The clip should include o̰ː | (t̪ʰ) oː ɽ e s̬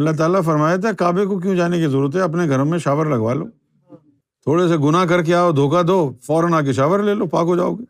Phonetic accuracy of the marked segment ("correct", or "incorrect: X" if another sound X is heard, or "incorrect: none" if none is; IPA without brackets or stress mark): correct